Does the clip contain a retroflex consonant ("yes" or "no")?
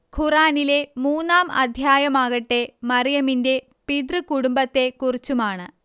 yes